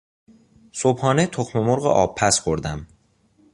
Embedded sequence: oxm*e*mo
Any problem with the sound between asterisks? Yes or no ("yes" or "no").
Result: no